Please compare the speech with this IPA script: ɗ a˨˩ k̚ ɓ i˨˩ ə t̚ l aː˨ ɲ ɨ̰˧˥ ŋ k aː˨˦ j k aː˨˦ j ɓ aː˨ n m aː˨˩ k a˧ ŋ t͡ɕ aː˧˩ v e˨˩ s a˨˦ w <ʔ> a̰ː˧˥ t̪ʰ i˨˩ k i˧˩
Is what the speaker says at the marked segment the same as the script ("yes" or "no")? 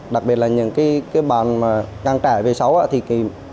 yes